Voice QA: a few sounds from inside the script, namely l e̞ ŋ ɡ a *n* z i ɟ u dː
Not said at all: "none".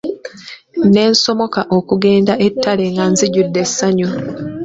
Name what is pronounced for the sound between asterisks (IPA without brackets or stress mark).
n